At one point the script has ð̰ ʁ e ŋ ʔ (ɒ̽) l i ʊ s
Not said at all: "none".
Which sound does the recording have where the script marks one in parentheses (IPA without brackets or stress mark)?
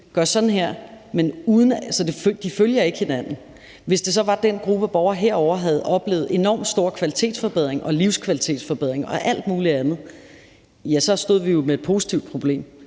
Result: ɒ̽